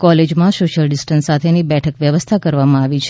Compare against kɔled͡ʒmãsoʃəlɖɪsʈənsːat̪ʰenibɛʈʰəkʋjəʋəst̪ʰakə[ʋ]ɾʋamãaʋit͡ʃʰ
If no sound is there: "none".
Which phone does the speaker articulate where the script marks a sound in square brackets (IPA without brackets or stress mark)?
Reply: none